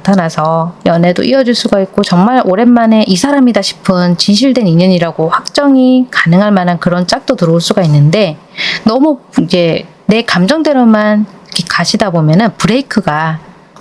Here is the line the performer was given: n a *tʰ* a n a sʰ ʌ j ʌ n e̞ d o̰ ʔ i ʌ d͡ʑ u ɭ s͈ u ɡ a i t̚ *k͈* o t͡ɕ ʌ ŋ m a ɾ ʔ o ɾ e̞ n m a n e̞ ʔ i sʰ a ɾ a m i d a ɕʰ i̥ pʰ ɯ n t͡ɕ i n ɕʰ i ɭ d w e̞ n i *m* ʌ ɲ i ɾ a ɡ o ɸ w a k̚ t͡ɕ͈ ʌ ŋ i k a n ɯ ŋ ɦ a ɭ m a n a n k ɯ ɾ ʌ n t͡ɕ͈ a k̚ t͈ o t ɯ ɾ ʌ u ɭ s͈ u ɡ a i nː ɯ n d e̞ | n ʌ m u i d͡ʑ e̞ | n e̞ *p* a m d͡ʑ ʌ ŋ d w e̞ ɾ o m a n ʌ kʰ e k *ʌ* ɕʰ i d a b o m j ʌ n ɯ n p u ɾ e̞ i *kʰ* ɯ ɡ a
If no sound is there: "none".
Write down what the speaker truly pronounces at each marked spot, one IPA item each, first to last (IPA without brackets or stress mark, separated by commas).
tʰ, k͈, ɲ, k, a, kʰ